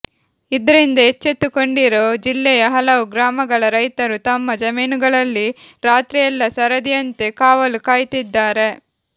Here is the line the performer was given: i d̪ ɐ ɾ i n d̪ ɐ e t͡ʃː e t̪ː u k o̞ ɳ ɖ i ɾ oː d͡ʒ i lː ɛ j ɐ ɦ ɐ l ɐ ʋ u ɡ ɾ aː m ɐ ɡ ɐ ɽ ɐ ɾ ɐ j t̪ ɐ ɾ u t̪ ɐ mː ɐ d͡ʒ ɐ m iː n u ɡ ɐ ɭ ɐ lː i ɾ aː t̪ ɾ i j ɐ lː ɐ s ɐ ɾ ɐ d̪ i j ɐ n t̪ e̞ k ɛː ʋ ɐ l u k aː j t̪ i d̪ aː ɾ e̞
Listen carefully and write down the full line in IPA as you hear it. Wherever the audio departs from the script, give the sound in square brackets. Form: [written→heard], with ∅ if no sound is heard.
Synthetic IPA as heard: i d̪ ɐ ɾ i n d̪ ɐ e t͡ʃː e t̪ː u k o̞ ɳ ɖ i ɾ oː d͡ʒ i lː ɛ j ɐ ɦ ɐ l ɐ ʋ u ɡ ɾ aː m ɐ ɡ ɐ [ɽ→ɭ] ɐ ɾ ɐ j t̪ ɐ ɾ u t̪ ɐ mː ɐ d͡ʒ ɐ m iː n u ɡ ɐ ɭ ɐ lː i ɾ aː t̪ ɾ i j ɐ lː ɐ s ɐ ɾ ɐ d̪ i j ɐ n t̪ e̞ k [ɛː→aː] ʋ ɐ l u k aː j t̪ i [d̪→d̪ː] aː ɾ e̞